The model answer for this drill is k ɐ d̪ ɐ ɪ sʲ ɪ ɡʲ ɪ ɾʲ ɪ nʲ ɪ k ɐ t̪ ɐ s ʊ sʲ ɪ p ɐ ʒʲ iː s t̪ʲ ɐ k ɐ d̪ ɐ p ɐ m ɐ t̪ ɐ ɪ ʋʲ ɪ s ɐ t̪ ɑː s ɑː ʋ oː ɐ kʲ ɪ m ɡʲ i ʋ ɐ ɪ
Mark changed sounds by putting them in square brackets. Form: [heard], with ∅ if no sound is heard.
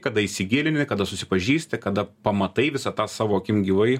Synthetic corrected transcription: k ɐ d̪ ɐ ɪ sʲ ɪ ɡʲ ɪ [lʲ] ɪ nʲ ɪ k ɐ [d̪] ɐ s ʊ sʲ ɪ p ɐ ʒʲ iː s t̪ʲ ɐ k ɐ d̪ ɐ p ɐ m ɐ t̪ ɐ ɪ ʋʲ ɪ s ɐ t̪ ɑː s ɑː ʋ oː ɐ kʲ ɪ m ɡʲ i ʋ ɐ ɪ